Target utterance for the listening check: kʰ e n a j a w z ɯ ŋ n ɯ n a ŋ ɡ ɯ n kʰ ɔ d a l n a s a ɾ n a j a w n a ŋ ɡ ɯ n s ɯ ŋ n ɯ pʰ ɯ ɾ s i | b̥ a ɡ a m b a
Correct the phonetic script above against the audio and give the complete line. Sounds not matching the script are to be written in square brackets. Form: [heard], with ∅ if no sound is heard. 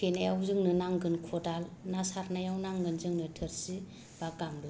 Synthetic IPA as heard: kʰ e n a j a w z ɯ ŋ n ɯ n a ŋ ɡ ɯ n kʰ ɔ d a l n a s a ɾ n a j a w n a ŋ ɡ ɯ n [z] ɯ ŋ n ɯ [tʰ] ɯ ɾ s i | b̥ a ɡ a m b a